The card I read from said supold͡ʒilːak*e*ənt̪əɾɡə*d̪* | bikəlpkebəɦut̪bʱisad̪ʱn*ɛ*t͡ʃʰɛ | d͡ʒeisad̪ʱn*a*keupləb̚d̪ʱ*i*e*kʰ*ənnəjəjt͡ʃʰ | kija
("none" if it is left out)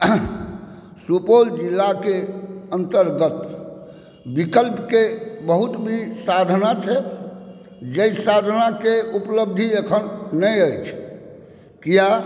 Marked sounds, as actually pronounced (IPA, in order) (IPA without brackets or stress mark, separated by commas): e, t̪, a, a, i, kʰ